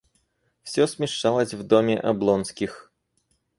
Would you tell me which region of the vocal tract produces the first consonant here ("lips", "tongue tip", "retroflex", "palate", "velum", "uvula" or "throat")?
lips